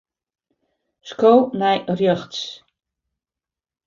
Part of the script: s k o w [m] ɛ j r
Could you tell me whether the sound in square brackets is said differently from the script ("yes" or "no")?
yes